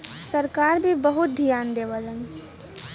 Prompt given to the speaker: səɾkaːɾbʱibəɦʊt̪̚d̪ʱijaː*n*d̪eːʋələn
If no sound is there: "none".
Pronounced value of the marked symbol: n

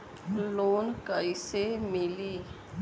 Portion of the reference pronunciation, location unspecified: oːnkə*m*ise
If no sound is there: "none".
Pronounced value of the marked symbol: none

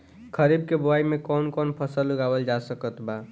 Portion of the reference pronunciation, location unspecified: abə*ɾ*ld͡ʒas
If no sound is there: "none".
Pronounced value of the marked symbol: none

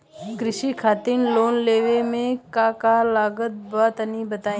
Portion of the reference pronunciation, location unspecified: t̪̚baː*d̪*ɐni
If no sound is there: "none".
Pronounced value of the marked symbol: t̪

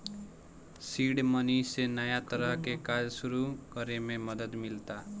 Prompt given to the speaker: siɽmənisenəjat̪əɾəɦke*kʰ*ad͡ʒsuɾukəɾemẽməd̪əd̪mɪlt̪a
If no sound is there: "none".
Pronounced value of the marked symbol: k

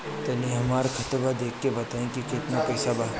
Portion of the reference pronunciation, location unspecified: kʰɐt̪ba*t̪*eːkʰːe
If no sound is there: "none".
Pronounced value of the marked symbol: d̪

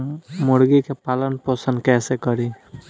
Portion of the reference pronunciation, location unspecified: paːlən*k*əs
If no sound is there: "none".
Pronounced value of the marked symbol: p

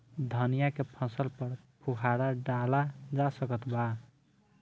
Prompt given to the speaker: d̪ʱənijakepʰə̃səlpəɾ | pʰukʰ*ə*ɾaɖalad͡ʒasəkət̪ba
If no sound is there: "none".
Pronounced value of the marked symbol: a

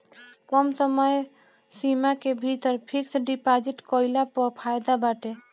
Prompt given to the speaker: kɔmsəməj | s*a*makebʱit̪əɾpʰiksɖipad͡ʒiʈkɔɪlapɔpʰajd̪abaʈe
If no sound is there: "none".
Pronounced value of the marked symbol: i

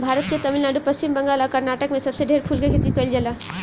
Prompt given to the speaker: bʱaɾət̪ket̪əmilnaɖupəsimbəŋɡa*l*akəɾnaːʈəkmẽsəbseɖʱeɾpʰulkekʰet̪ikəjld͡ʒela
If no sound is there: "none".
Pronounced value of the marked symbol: l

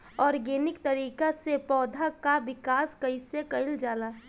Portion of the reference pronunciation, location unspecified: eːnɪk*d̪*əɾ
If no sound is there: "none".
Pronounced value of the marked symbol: t̪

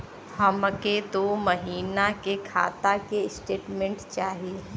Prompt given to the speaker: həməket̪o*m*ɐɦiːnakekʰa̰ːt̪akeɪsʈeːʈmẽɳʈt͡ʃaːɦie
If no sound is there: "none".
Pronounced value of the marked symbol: m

